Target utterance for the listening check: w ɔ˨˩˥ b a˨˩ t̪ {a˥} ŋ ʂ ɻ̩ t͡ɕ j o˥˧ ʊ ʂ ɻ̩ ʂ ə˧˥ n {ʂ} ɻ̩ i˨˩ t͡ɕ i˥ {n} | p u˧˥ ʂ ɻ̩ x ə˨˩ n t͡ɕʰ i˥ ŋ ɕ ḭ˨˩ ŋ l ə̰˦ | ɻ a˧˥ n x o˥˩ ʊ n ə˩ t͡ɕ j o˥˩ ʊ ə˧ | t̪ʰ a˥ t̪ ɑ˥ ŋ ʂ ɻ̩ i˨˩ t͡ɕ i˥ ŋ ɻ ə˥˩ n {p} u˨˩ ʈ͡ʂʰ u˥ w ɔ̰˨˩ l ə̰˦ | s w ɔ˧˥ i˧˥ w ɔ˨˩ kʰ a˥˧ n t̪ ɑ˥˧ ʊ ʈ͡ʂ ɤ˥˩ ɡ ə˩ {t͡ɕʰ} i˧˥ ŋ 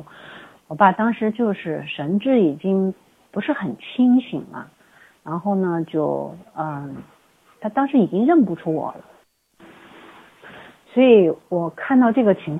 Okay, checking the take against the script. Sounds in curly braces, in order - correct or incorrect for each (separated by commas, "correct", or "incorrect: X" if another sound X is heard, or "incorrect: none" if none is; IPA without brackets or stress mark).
incorrect: ɑ˥, incorrect: ʈ͡ʂ, incorrect: ŋ, correct, correct